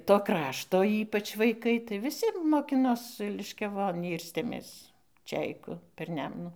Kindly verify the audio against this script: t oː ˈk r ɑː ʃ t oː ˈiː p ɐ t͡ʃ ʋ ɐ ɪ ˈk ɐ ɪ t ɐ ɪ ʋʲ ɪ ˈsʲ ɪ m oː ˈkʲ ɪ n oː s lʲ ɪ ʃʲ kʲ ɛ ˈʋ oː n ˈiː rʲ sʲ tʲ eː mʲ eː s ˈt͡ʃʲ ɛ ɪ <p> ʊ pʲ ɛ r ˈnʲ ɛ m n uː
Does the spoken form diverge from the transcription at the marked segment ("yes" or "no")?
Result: yes